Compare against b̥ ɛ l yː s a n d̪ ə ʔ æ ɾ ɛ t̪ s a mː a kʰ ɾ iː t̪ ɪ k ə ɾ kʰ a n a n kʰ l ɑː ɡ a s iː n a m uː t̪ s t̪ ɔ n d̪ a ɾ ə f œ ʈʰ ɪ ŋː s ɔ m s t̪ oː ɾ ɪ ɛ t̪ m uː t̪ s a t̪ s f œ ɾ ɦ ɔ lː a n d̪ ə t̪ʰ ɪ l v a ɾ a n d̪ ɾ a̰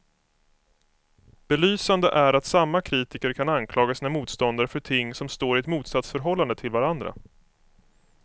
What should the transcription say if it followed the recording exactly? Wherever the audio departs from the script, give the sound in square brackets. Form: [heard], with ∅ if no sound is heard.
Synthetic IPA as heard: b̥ ɛ l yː s a n d̪ ə ʔ æ ɾ [a] t̪ s a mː a kʰ ɾ iː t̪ ɪ k ə ɾ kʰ a n a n kʰ l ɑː ɡ a s iː n a m uː t̪ s t̪ ɔ n d̪ a ɾ ə f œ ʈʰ ɪ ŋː s ɔ m s t̪ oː ɾ ɪ ɛ t̪ m uː t̪ s a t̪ s f œ ɾ ɦ ɔ lː a n d̪ ə t̪ʰ ɪ l v a ɾ a n d̪ ɾ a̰